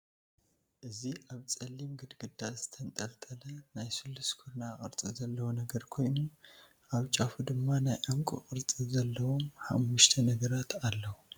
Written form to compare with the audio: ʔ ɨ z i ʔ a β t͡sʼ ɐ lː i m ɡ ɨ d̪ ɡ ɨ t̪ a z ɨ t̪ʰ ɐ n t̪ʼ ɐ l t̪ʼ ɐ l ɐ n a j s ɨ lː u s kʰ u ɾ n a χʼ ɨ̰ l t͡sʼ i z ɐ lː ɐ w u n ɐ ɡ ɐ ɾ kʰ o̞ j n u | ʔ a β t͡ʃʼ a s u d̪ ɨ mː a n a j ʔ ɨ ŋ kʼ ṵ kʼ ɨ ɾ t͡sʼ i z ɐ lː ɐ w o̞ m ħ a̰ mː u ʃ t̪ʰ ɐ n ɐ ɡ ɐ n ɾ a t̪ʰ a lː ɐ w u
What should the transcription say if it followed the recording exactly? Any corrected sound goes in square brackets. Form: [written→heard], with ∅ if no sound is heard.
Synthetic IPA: ʔ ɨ z i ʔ a β t͡sʼ ɐ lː i m ɡ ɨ d̪ ɡ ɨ [t̪→d̪] a z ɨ t̪ʰ ɐ n t̪ʼ ɐ l t̪ʼ ɐ l ɐ n a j s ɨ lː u s kʰ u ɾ n a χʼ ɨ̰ [l→ɾ] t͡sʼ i z ɐ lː ɐ w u n ɐ ɡ ɐ ɾ kʰ o̞ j n u | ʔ a β t͡ʃʼ a [s→f] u d̪ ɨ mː a n a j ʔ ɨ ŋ kʼ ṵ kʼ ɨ ɾ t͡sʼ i z ɐ lː ɐ w o̞ m ħ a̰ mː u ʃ t̪ʰ ɐ n ɐ ɡ ɐ [n→∅] ɾ a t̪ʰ a lː ɐ w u